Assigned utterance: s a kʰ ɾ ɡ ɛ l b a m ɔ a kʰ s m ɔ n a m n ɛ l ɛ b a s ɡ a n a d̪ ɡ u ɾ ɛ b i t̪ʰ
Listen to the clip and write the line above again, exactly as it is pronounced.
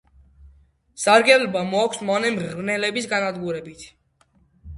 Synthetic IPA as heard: s a ɾ ɡ ɛ l b a m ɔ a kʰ s m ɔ n ɛ m n ɛ l ɛ b i s ɡ a n a d̪ ɡ u ɾ ɛ b i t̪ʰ